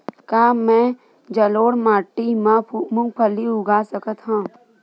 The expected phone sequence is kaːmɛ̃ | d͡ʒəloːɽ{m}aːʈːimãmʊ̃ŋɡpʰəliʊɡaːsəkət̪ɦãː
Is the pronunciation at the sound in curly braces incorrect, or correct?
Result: correct